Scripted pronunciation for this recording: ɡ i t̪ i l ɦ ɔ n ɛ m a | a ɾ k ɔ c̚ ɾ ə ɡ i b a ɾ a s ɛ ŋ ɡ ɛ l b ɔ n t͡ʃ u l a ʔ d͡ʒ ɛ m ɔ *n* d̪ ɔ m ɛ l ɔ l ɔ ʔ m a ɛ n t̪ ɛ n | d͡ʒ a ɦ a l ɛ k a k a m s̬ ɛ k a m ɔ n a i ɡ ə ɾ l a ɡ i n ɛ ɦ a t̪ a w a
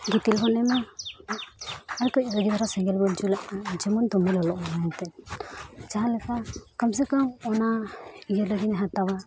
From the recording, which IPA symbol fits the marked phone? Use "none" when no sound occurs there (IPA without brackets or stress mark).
n